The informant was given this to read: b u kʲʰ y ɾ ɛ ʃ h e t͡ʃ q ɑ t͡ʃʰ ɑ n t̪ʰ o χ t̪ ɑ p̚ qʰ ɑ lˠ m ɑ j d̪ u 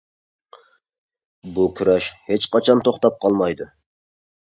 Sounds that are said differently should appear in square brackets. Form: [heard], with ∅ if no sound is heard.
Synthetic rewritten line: b u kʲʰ y ɾ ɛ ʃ h e t͡ʃ q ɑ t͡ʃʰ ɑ n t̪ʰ o χ t̪ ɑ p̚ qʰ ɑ lˠ m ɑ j d̪ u